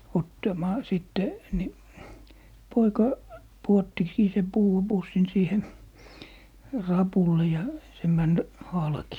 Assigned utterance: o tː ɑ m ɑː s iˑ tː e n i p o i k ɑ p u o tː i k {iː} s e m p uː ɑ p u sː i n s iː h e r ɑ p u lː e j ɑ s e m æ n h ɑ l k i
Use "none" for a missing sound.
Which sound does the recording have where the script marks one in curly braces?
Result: iː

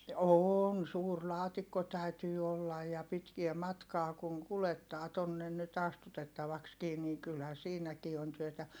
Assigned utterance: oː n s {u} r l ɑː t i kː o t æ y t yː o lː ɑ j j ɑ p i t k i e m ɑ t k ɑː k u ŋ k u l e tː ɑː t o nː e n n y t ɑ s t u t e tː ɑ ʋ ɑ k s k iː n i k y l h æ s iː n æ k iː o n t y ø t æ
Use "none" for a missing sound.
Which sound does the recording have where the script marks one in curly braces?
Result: uː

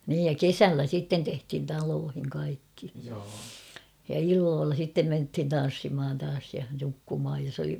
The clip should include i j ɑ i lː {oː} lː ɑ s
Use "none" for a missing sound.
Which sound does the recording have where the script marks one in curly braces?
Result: oː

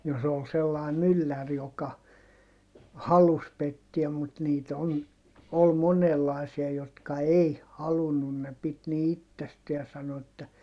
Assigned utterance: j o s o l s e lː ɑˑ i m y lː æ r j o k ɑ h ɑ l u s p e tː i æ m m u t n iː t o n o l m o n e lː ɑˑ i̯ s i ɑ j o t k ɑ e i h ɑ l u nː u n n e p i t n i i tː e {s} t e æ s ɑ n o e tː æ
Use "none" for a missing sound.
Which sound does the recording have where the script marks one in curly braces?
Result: s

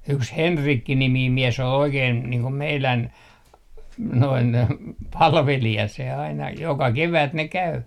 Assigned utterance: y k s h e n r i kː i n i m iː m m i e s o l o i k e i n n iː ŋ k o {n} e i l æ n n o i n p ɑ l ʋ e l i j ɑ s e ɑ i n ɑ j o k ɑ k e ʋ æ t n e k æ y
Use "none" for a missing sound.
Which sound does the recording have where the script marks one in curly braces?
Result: m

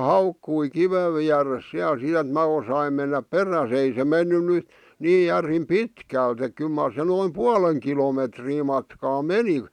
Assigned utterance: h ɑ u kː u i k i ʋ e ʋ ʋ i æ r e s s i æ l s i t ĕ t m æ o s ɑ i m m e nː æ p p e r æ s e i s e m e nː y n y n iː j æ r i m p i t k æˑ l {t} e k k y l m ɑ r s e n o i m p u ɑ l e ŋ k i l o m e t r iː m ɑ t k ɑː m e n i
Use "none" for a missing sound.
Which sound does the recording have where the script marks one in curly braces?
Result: t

